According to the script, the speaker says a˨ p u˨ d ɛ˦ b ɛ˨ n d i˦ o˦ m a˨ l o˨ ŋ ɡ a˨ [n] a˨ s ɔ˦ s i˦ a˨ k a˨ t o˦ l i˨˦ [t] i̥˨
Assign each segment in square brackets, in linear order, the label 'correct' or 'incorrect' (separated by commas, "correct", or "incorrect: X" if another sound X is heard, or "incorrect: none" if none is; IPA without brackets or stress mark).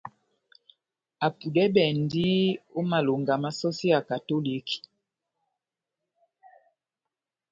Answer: incorrect: m, incorrect: k